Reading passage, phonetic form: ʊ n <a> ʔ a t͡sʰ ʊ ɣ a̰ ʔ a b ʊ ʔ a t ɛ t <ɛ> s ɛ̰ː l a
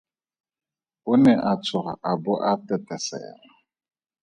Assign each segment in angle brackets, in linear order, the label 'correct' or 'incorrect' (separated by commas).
incorrect, correct